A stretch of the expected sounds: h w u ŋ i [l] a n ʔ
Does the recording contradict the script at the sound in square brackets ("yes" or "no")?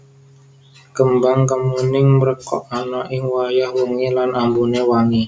no